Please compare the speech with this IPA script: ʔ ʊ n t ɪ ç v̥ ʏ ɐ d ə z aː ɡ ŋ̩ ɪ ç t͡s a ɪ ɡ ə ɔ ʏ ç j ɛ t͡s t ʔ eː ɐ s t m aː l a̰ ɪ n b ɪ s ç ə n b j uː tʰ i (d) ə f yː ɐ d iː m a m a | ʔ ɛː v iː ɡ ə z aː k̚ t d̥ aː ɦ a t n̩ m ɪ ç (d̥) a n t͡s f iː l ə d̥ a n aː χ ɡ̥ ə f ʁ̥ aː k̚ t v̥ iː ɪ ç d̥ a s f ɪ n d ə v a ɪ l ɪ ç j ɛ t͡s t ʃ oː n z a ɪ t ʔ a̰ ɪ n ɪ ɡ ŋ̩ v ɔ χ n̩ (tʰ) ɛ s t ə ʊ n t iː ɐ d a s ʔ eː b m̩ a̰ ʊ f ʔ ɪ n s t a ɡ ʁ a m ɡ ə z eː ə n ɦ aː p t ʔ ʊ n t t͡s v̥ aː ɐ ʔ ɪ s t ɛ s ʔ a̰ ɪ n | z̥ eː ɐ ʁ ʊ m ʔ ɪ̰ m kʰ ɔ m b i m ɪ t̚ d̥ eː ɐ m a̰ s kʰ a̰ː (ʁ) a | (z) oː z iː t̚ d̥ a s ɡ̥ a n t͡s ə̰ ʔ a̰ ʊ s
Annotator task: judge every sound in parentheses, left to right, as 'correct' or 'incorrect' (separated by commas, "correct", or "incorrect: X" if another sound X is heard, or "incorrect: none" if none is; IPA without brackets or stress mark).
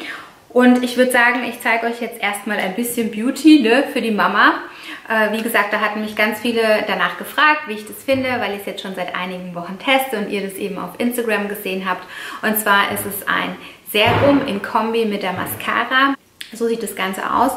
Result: incorrect: n, incorrect: ɡ̥, correct, correct, correct